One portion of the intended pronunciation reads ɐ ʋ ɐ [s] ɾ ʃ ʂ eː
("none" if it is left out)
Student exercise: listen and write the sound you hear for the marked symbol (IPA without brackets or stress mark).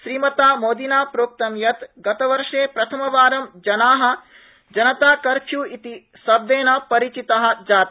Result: none